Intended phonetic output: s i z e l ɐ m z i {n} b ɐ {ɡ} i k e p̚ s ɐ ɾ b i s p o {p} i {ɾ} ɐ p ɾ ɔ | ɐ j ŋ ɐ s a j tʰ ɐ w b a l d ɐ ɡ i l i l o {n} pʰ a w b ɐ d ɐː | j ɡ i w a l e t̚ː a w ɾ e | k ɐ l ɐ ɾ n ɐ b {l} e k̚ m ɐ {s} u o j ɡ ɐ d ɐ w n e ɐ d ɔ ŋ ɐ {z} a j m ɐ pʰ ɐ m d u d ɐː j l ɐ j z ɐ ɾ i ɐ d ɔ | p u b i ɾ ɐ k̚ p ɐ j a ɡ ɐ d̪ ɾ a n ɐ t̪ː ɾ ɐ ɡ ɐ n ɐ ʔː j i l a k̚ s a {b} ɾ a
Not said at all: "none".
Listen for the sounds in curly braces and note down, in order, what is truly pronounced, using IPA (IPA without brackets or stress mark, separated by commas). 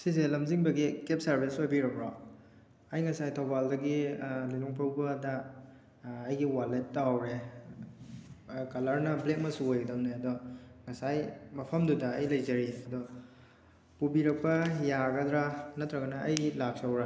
ŋ, ɡ, b, ɾ, ŋ, l, s, s, w